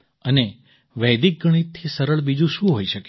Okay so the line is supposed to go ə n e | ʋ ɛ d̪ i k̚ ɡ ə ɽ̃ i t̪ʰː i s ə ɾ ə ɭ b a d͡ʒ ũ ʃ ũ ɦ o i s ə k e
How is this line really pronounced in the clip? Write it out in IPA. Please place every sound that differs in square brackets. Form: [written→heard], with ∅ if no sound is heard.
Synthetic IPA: ə n e | ʋ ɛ d̪ i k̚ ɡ ə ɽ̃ i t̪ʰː i s ə ɾ ə ɭ b [a→i] d͡ʒ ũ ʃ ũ ɦ o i [s→ʃ] ə k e